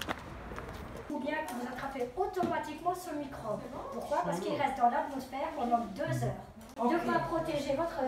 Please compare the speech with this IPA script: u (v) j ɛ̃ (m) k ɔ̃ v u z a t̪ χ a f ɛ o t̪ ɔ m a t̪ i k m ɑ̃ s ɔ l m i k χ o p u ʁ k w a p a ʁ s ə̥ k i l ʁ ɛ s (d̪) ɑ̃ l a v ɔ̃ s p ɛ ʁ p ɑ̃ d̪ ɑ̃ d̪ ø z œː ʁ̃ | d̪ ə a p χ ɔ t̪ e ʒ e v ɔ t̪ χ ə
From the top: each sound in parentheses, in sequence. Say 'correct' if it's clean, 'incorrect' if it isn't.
incorrect: b, incorrect: none, incorrect: t̪

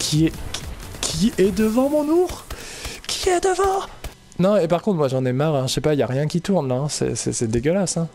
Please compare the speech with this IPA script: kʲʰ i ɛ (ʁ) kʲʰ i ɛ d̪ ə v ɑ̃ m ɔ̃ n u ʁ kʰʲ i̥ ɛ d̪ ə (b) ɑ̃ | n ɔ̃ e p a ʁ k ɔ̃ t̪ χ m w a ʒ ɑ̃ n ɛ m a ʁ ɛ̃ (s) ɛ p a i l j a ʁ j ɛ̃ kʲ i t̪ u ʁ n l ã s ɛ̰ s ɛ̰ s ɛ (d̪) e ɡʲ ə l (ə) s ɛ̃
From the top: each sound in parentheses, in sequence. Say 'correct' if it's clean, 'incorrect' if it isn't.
incorrect: none, incorrect: v, incorrect: ʃ, correct, incorrect: a

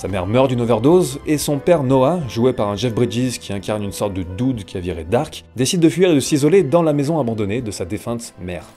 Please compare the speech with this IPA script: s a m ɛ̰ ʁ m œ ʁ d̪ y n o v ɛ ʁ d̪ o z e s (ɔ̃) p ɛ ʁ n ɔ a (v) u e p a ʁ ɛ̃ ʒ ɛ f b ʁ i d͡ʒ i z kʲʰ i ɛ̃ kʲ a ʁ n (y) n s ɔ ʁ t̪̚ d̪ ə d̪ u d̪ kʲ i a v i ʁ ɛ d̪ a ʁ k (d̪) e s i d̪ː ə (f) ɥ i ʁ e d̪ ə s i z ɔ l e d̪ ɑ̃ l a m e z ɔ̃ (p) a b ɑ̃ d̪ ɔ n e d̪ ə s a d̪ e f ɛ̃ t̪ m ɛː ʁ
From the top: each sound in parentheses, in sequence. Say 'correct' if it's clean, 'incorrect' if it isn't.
correct, incorrect: ʒ, correct, correct, correct, incorrect: none

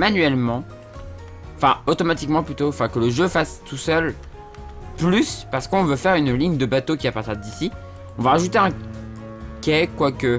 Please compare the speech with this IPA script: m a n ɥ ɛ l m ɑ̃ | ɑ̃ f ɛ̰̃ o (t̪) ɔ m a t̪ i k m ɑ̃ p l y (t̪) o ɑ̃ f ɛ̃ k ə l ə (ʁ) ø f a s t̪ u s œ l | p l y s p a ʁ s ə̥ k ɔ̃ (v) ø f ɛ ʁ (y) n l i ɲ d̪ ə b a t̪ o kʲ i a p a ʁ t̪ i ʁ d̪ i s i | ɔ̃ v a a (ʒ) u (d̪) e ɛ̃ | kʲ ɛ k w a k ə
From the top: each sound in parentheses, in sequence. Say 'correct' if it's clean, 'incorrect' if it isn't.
correct, correct, incorrect: ʒ, correct, correct, correct, incorrect: t̪

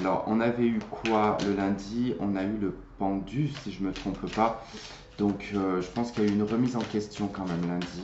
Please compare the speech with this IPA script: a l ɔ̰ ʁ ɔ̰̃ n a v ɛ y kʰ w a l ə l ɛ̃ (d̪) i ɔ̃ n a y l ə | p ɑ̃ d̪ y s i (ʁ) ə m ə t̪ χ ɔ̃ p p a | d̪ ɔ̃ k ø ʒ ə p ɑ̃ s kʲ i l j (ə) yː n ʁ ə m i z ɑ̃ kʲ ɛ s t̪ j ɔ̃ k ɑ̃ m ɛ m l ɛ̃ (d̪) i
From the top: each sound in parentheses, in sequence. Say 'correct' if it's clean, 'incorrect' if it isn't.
correct, incorrect: ʒ, incorrect: a, correct

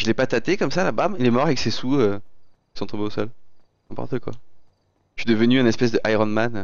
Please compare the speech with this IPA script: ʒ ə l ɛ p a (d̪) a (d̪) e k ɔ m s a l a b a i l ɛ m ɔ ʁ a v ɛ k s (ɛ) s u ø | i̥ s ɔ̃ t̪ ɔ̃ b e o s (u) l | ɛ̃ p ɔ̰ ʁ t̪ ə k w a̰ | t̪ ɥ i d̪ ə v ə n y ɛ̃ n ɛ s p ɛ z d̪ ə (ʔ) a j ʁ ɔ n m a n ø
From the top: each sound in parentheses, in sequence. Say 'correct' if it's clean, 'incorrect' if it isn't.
incorrect: t̪, incorrect: t̪, incorrect: e, incorrect: ɔ, correct

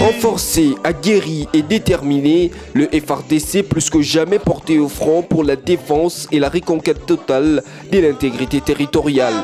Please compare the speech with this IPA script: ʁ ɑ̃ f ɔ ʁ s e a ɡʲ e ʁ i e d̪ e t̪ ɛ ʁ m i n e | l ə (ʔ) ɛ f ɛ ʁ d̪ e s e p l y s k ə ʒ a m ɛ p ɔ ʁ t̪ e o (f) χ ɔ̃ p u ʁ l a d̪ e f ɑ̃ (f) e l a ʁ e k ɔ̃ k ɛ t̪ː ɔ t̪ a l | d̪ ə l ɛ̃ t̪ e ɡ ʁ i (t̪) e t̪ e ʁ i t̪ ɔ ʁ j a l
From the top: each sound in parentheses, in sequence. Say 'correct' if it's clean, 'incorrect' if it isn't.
correct, correct, incorrect: s, correct

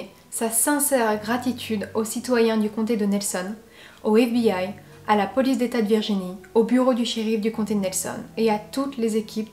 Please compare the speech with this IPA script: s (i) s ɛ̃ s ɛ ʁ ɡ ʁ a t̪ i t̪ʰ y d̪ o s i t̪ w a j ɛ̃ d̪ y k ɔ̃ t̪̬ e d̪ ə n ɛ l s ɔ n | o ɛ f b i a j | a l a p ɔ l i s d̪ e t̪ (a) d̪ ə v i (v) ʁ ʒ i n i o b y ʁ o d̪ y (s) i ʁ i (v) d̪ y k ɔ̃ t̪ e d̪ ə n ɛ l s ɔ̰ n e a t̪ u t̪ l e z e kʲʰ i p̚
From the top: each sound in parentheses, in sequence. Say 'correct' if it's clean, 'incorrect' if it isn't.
incorrect: a, correct, incorrect: none, incorrect: ʃ, incorrect: f

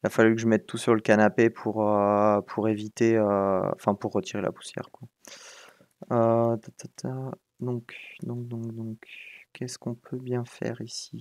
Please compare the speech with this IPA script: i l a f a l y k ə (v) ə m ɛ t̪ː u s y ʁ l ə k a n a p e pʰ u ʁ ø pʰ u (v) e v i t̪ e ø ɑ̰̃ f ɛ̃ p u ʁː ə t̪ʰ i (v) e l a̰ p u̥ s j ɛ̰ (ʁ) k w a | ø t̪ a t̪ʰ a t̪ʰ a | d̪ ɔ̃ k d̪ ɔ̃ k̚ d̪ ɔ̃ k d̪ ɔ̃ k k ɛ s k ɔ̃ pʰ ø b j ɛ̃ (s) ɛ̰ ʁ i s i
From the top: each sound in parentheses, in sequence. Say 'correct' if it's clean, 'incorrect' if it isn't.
incorrect: ʒ, incorrect: ʁ, incorrect: ʁ, correct, incorrect: f

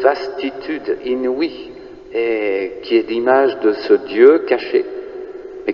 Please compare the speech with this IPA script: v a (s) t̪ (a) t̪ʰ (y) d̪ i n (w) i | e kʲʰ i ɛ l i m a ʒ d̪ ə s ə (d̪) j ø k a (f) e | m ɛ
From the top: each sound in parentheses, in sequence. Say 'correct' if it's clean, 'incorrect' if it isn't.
correct, incorrect: i, correct, correct, correct, incorrect: ʃ

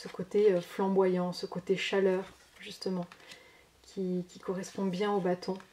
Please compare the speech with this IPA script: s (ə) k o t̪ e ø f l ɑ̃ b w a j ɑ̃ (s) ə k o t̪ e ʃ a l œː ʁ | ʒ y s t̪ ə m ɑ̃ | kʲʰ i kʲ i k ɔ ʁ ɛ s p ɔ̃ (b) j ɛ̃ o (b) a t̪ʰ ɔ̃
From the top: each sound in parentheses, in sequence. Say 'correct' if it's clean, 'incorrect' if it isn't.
correct, correct, correct, correct

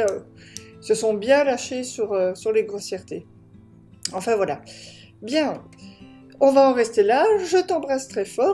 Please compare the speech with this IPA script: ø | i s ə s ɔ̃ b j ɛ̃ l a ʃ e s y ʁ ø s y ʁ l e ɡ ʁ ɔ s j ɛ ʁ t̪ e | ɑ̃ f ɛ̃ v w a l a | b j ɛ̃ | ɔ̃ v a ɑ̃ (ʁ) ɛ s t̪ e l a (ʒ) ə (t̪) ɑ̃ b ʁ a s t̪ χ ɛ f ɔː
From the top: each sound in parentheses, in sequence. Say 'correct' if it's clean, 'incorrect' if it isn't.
correct, correct, correct

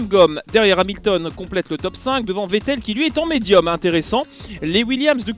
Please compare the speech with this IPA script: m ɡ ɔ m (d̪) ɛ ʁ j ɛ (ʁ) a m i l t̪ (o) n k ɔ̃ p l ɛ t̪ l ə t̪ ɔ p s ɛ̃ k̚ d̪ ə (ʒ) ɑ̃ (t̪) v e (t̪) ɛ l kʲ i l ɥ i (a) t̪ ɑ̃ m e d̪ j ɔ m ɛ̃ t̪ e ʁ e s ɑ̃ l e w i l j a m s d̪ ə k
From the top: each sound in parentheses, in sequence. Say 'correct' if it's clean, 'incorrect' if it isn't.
correct, correct, incorrect: ɔ, incorrect: v, incorrect: none, correct, incorrect: ɛ

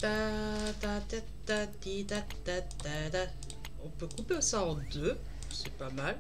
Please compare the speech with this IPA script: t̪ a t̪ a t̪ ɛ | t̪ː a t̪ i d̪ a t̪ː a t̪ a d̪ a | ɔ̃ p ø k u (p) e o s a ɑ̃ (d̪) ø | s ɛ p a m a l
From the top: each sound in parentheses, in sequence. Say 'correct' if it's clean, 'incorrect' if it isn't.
correct, correct

